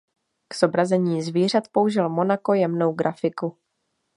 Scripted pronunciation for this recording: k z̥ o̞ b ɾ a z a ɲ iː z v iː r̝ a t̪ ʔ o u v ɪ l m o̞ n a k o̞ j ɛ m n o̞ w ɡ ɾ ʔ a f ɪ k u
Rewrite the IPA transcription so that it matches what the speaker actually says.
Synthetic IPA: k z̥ o̞ b ɾ a z ɛ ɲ iː z v iː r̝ a t̪ p o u ʒ ɪ l m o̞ n a k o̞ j ɛ m n o̞ w ɡ ɾ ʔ a f ɪ k u